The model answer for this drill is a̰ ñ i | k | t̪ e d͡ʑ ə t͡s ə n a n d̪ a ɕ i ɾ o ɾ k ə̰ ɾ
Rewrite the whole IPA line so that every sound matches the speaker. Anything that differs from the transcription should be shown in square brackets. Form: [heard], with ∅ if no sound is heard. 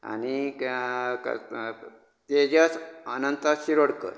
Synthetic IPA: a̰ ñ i | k | t̪ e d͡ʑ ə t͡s ə n [ə] n [t̪] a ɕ i ɾ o [ɽ] k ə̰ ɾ